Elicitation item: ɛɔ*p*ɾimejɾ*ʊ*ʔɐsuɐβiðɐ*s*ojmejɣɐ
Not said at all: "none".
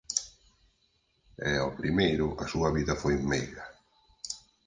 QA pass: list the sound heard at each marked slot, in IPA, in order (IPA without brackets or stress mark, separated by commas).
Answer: p, ʊ, f